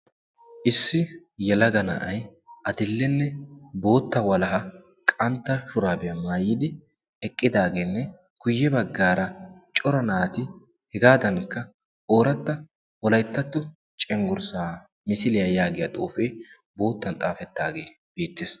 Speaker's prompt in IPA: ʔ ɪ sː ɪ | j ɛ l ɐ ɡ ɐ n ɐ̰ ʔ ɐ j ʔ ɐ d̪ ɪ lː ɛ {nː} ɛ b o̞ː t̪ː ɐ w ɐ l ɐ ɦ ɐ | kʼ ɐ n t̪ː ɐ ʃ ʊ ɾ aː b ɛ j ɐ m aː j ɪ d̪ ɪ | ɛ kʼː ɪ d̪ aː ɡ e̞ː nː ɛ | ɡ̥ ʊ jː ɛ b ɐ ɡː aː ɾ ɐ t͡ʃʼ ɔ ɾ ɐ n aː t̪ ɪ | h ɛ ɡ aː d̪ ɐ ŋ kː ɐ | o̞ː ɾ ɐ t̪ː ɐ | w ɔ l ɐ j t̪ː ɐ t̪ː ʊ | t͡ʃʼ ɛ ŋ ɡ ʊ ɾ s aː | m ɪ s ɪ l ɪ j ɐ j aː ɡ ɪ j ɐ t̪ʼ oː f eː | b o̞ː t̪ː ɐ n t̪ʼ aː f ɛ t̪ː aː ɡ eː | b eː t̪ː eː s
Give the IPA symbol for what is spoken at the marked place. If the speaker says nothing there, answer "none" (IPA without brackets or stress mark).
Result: nː